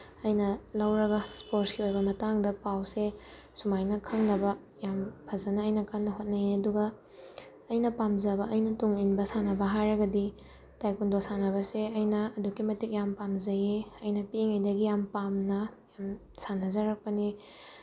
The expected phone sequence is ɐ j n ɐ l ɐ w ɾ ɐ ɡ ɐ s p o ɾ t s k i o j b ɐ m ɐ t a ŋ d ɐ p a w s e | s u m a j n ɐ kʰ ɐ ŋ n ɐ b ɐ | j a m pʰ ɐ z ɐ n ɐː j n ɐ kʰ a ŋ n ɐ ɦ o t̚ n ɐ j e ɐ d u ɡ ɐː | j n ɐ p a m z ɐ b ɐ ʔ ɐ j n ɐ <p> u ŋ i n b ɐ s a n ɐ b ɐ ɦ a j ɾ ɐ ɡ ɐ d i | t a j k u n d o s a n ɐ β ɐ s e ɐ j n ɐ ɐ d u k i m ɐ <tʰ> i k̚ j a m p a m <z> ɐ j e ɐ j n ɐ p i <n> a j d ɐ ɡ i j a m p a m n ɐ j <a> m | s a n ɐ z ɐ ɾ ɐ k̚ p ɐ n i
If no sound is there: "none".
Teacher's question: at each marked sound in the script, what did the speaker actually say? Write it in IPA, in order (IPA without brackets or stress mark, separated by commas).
t, t, z, ŋ, a